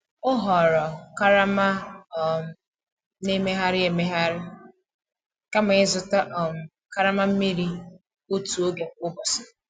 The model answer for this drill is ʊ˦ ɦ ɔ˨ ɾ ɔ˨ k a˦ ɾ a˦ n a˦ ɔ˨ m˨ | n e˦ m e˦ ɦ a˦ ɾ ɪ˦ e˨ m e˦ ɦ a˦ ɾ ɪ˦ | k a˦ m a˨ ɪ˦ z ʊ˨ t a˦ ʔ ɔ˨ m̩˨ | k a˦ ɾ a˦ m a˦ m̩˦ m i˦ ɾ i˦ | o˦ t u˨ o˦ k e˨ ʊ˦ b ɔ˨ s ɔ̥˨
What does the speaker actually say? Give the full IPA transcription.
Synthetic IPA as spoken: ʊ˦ ɦ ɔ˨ ɾ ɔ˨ k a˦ ɾ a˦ m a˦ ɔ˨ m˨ | n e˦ m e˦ ɦ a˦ ɾ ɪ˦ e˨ m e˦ ɦ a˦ ɾ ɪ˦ | k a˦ m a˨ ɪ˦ z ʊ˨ t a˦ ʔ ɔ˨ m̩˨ | k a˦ ɾ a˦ m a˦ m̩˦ m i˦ ɾ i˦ | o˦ t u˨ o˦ ɡ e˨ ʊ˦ b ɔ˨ s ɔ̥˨